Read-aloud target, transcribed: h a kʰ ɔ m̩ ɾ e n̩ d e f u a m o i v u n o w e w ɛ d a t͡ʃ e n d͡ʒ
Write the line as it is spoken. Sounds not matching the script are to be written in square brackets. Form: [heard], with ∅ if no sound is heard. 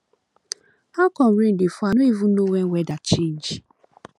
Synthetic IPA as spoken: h a [k] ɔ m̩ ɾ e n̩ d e f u a [n] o i v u n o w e w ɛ d a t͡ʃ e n d͡ʒ